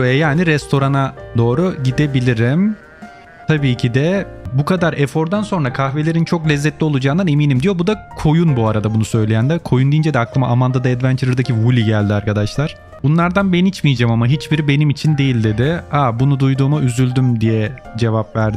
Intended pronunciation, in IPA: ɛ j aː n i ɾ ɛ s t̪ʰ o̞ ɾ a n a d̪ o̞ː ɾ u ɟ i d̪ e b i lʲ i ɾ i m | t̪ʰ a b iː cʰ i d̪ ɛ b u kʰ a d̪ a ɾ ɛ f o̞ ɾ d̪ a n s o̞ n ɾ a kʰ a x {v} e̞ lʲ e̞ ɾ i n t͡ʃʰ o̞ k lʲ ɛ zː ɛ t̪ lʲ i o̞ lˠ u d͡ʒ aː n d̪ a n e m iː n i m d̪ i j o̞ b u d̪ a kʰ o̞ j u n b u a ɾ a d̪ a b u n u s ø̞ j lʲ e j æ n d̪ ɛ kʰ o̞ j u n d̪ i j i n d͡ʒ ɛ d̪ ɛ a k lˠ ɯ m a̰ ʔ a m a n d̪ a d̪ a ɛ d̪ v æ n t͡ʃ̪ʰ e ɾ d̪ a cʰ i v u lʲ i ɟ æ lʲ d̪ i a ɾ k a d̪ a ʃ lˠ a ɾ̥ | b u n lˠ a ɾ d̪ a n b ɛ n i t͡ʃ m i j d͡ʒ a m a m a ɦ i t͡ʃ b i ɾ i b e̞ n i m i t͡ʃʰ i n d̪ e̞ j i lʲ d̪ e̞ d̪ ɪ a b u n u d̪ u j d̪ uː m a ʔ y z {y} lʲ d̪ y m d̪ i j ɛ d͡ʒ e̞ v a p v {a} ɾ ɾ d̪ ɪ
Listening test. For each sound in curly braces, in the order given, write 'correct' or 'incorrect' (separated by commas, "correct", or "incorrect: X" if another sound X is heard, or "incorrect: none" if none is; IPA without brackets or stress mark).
correct, correct, incorrect: æ